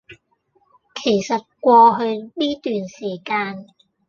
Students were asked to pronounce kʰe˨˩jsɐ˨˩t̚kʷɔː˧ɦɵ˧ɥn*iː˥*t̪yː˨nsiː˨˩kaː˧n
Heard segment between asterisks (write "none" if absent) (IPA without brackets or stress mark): iː˥